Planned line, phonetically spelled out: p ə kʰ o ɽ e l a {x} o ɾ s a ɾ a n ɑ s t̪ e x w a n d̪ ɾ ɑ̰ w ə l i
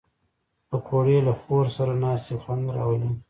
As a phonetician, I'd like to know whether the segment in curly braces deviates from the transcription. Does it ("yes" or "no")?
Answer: no